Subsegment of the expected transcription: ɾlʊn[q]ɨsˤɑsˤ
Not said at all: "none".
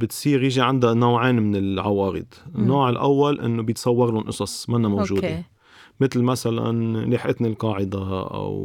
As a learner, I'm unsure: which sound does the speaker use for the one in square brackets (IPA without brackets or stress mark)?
ʔ